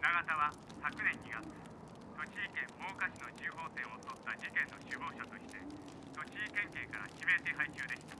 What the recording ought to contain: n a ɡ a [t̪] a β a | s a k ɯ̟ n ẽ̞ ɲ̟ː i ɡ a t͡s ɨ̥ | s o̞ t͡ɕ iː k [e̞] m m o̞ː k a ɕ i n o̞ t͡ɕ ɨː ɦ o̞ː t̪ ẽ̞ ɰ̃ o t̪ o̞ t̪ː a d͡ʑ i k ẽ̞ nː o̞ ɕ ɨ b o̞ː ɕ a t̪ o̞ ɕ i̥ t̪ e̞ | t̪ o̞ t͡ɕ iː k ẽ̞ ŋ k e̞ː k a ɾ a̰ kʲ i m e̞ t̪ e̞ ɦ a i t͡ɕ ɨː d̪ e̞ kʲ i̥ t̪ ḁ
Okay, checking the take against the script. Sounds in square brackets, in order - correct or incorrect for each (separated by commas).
correct, incorrect